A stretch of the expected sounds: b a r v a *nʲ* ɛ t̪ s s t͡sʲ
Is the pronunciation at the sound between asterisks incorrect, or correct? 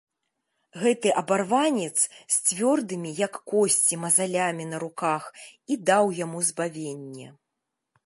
correct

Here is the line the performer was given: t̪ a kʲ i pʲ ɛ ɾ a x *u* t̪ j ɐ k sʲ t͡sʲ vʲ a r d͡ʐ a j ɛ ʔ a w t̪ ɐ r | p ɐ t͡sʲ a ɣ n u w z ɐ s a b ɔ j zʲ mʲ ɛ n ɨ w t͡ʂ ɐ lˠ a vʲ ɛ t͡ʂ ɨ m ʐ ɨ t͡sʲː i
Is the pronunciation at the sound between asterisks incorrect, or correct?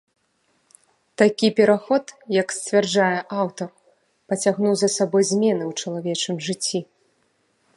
incorrect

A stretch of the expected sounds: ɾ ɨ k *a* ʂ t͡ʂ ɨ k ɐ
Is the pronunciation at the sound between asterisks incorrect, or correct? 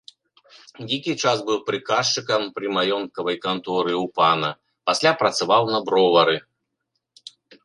correct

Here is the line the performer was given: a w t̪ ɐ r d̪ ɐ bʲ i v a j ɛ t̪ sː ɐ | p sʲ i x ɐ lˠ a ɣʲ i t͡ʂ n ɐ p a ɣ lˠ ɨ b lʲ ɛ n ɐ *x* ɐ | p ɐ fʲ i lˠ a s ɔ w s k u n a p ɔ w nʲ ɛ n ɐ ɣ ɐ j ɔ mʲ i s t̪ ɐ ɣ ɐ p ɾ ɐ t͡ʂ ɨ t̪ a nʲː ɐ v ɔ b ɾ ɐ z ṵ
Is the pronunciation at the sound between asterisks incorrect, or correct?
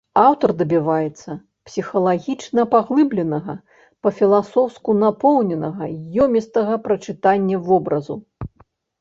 incorrect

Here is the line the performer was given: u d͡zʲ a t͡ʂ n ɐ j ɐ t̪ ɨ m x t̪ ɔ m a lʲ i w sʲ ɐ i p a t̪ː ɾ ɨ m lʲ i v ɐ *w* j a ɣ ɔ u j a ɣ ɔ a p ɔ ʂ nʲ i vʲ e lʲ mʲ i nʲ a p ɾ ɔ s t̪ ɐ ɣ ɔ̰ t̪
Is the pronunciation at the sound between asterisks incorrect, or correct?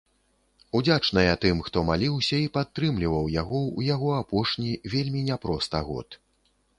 correct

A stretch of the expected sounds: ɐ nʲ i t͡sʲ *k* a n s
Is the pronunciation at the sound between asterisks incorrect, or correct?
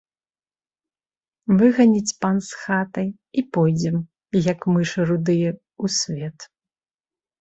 incorrect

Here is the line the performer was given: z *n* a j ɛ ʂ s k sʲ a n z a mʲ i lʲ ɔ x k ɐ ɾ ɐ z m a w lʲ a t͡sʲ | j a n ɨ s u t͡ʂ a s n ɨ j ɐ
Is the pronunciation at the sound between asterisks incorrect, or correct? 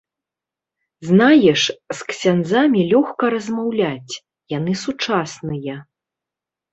correct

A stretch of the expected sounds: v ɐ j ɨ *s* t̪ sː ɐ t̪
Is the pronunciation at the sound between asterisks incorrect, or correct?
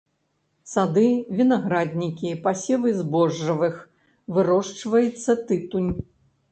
incorrect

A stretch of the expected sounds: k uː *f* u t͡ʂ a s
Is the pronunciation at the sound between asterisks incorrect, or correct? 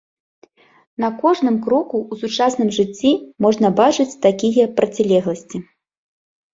incorrect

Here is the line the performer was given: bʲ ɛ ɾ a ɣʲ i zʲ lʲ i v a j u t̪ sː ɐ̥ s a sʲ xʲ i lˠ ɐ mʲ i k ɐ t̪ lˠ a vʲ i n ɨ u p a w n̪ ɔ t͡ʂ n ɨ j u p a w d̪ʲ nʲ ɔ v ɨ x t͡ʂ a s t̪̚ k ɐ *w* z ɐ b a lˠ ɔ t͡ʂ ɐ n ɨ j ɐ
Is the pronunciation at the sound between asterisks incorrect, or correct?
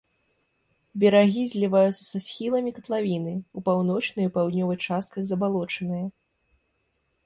incorrect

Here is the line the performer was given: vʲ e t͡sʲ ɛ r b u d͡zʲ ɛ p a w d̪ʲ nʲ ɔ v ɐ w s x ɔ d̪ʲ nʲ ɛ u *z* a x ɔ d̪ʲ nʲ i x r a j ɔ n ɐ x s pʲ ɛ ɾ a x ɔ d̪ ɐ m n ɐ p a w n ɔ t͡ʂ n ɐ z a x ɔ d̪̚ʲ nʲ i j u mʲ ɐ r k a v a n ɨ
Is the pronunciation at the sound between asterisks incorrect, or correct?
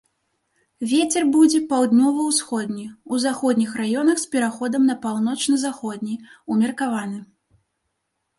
correct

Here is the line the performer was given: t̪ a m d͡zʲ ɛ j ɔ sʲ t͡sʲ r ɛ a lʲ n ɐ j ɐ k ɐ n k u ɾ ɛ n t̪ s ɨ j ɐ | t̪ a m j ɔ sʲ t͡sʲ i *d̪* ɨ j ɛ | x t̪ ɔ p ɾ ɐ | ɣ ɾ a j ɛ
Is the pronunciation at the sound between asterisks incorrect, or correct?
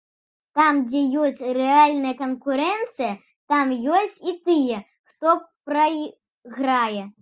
incorrect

